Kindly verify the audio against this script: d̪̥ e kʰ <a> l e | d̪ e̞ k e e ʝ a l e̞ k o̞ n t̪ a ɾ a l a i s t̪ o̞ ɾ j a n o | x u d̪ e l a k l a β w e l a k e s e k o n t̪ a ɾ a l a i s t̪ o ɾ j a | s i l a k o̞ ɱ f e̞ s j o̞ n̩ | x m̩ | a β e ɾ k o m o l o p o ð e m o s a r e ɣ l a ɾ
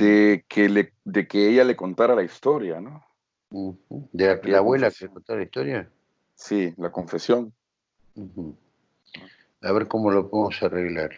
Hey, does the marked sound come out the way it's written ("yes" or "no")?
no